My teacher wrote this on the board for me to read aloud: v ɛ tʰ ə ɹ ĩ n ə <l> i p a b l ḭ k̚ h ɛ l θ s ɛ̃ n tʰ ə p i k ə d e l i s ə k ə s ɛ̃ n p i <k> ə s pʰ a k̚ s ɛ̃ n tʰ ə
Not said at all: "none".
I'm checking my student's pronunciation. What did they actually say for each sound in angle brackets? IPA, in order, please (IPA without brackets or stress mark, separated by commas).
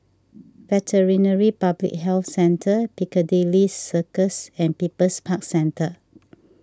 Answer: ɹ, p